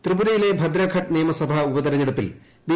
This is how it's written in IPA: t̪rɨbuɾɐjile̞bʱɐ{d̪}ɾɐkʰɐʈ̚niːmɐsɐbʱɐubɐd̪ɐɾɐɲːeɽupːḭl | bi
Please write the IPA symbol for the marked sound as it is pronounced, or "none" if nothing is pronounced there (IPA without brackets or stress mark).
d̪